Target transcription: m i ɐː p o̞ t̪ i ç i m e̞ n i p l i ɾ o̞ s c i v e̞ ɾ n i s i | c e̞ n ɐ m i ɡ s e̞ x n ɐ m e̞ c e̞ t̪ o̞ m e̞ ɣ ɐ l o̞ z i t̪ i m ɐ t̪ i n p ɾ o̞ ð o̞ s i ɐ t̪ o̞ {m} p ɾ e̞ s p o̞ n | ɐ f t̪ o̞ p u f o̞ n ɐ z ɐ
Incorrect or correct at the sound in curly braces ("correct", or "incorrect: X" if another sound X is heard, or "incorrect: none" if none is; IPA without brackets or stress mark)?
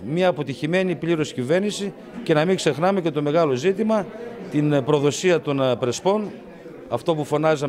incorrect: n